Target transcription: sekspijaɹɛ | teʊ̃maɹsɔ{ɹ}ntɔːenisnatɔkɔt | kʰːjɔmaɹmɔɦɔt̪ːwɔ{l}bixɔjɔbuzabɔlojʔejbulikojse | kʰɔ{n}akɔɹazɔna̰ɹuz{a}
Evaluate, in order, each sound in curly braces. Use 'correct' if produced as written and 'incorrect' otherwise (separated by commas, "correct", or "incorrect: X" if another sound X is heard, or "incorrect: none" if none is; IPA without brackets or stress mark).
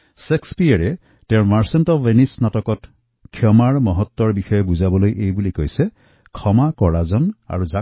incorrect: none, incorrect: ɹ, incorrect: m, correct